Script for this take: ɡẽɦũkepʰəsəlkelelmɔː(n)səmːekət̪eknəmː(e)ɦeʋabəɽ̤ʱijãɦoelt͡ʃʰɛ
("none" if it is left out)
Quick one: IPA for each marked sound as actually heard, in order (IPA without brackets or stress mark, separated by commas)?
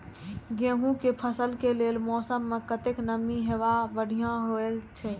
none, i